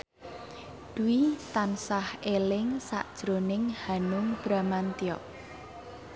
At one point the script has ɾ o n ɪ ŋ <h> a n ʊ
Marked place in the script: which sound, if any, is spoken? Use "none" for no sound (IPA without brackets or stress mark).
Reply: h